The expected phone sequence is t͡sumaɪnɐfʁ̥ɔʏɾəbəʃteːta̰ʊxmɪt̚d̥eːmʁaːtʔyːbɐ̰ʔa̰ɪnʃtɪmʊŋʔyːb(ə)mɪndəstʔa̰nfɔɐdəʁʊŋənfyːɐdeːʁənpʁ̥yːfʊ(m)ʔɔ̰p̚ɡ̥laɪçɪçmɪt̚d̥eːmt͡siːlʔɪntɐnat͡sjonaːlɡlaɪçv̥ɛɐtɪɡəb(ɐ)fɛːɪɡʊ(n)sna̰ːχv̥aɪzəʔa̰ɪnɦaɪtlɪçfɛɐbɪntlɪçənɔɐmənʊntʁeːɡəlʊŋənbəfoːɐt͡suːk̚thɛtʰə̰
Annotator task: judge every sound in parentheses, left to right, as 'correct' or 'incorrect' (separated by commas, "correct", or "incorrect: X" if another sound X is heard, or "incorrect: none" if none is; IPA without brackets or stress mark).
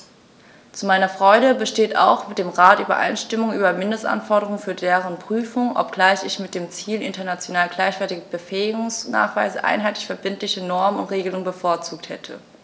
incorrect: ɐ, incorrect: ŋ, incorrect: ə, incorrect: ŋ